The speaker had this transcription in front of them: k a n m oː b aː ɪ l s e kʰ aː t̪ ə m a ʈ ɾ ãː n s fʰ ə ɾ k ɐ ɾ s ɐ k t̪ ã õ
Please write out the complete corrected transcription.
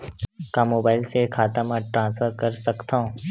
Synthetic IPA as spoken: k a m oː b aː ɪ l s e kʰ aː t̪ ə m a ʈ ɾ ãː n s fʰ ə ɾ k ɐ ɾ s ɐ k t̪ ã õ

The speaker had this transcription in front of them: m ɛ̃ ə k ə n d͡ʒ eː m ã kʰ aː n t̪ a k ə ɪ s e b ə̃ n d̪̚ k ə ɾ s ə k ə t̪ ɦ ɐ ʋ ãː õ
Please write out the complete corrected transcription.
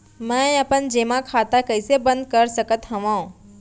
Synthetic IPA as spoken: m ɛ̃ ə p ə n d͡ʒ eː m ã kʰ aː t̪ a k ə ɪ s e b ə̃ n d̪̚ k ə ɾ s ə k ə t̪ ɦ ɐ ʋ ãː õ

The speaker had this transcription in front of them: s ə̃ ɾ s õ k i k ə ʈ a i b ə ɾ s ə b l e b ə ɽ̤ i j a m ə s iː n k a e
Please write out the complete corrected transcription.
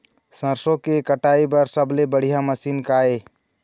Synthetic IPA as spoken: s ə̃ ɾ s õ k e k ə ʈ a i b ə ɾ s ə b l e b ə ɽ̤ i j a m ə s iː n k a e

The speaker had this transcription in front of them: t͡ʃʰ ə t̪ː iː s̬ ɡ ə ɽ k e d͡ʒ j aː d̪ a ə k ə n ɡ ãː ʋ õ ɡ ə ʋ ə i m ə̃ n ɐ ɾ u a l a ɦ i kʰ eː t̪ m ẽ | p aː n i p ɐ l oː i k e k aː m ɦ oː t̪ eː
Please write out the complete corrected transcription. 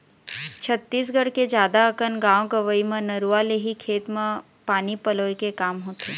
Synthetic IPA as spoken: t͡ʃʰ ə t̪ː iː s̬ ɡ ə ɽ k e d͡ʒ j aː d̪ a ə k ə n ɡ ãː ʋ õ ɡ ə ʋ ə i m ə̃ n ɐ ɾ u a l e ɦ i kʰ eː t̪ m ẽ | p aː n i p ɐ l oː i k e k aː m ɦ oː t̪ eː

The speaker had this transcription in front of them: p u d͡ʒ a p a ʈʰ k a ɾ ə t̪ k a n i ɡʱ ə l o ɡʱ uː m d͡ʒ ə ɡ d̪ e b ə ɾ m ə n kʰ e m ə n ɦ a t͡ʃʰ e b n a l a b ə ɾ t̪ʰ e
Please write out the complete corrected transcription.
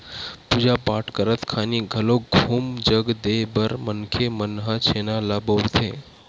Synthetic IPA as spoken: p u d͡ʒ a p a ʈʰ k ə ɾ ə t̪ kʰ a n i ɡʱ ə l o ɡʱ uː m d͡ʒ ə ɡ d̪ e b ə ɾ m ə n kʰ e m ə n ɦ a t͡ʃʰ e n a l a b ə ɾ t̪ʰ e

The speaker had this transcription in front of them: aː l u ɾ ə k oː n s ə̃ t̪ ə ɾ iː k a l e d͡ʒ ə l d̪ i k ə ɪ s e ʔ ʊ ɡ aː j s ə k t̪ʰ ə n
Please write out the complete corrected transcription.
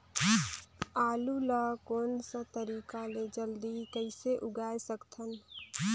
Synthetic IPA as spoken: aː l u l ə k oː n s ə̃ t̪ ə ɾ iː k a l e d͡ʒ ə l d̪ i k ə ɪ s e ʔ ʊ ɡ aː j s ə k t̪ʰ ə n

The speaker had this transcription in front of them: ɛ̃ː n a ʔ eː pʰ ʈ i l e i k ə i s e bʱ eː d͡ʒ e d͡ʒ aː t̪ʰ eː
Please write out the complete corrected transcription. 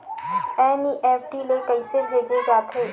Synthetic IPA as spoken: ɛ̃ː n i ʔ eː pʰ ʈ i l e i k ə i s e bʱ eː d͡ʒ e d͡ʒ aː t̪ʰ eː

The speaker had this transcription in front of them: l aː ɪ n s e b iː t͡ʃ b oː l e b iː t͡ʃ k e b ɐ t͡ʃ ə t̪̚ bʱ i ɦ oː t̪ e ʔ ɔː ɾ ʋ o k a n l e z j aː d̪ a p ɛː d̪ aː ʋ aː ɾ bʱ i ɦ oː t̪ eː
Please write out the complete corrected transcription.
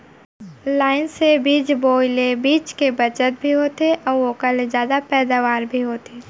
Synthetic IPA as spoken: l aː ɪ n s e b iː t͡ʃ b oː l e b iː t͡ʃ k e b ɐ t͡ʃ ə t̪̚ bʱ i ɦ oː t̪ e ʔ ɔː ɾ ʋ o k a l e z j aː d̪ a p ɛː d̪ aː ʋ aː ɾ bʱ i ɦ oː t̪ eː

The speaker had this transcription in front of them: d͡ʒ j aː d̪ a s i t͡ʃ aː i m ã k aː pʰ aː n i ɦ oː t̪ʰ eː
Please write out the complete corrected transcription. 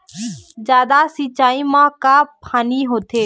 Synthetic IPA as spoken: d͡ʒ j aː d̪ a s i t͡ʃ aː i m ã k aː pʰ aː n i ɦ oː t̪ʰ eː

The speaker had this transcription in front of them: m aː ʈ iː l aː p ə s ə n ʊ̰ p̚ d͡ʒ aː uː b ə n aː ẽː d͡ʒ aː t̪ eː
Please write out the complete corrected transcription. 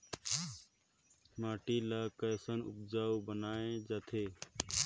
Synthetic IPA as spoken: m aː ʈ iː l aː k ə s ə n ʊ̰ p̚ d͡ʒ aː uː b ə n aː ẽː d͡ʒ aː t̪ʰ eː

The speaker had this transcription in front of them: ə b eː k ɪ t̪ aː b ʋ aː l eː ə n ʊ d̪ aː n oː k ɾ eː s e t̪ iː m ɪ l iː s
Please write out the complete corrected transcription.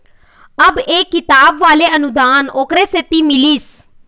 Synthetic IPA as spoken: ə b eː k ɪ t̪ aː b ʋ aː l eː ə n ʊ d̪ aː n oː k ɾ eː s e t̪ iː m ɪ l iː s

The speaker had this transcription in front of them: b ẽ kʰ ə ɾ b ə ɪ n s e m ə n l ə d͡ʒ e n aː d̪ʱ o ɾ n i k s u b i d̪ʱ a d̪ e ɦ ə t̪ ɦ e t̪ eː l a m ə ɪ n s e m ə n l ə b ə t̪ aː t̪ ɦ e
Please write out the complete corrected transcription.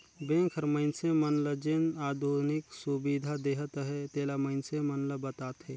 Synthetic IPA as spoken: b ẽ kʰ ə ɾ m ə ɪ n s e m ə n l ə d͡ʒ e n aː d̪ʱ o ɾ n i k s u b i d̪ʱ a d̪ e ɦ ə t̪ ɦ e t̪ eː l a m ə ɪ n s e m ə n l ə b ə t̪ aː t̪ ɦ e

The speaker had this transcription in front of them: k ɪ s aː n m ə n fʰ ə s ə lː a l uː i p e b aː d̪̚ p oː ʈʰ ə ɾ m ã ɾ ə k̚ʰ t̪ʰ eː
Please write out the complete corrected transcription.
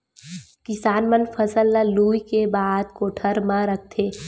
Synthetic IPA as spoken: k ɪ s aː n m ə n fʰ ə s ə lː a l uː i k e b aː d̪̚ k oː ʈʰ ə ɾ m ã ɾ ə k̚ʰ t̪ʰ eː

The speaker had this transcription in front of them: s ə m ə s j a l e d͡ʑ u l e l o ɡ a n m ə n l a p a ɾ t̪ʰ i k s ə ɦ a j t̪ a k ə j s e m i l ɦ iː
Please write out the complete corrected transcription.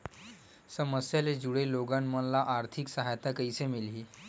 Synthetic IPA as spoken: s ə m ə s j a l e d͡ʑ u ɽ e l o ɡ a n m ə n l a ʔ a ɾ t̪ʰ i k s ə ɦ a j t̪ a k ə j s e m i l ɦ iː

